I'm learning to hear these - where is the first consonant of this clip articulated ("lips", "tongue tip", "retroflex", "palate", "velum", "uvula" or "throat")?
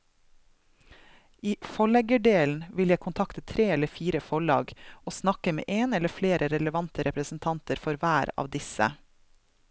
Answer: lips